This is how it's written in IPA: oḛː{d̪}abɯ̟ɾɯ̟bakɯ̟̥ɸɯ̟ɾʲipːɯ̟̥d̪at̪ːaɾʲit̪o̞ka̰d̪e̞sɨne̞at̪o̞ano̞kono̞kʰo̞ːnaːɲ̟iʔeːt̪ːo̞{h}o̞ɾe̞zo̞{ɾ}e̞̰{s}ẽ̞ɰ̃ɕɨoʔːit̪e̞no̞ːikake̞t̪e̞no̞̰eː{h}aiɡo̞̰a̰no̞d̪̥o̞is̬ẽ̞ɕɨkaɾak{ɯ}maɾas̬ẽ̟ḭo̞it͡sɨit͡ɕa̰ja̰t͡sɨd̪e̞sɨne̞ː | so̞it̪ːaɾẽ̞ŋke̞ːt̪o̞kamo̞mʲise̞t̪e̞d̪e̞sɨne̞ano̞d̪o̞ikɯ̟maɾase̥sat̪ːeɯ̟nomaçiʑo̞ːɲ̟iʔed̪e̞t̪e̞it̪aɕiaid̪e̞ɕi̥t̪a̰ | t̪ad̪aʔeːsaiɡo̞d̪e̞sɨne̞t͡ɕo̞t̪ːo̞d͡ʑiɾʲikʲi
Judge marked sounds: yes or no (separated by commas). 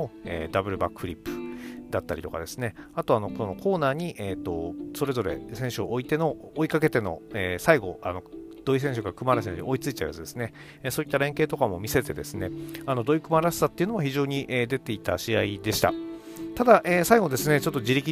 yes, no, yes, yes, no, yes